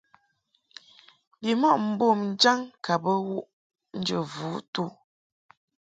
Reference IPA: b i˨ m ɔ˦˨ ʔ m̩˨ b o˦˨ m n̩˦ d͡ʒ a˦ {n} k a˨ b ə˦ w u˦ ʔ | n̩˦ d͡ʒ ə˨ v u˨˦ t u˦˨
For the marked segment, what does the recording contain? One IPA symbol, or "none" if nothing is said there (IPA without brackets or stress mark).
ŋ